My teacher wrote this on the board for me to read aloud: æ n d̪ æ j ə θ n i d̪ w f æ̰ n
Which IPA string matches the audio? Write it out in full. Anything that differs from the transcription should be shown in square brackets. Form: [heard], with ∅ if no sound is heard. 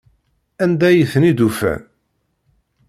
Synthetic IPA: æ n d̪ æ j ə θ n i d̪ [u] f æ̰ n

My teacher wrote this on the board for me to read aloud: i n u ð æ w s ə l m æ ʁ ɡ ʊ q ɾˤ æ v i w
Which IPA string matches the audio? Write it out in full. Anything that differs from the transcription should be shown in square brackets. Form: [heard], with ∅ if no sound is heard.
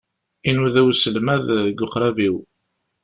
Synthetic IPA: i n u ð æ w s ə l m æ [ð] ɡ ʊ q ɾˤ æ v i w

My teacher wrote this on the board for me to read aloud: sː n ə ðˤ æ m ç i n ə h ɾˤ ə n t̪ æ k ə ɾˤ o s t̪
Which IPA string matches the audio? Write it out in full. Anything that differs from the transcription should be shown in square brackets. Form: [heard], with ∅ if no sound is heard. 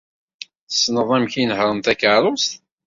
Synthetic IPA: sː n ə ðˤ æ m ç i n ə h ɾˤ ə n t̪ æ k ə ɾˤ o s t̪

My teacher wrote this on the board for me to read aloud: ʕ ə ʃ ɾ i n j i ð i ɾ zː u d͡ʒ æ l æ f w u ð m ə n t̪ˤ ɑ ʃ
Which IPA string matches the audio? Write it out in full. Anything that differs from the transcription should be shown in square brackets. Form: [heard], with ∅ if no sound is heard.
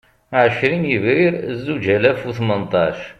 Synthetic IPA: ʕ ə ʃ ɾ i n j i [v] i ɾ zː u d͡ʒ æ l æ f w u [θ] m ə n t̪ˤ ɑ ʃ

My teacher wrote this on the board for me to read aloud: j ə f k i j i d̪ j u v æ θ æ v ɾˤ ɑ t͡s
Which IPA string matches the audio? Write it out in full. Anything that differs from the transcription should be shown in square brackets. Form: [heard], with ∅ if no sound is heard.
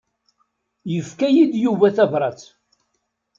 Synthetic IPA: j ə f k [æ] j i d̪ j u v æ θ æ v ɾˤ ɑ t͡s

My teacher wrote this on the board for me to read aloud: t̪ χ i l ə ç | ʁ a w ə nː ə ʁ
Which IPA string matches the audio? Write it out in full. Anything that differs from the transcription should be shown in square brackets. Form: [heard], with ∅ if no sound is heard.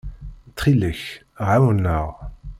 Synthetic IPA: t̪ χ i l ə ç | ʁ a w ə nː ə ʁ

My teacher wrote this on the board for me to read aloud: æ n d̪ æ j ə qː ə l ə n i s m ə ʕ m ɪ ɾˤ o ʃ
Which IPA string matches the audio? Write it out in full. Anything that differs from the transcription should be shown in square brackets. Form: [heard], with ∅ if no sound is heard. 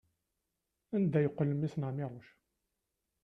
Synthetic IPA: æ n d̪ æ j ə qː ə l ə [m] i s [n] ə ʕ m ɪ ɾˤ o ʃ

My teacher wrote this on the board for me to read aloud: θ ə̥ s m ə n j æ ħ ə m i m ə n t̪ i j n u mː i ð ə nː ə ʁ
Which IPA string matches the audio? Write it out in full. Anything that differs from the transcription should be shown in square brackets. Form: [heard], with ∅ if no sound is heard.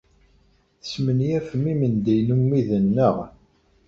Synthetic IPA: θ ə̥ s m ə n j æ [f] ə m i m ə n [d̪] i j n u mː i ð ə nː ə ʁ

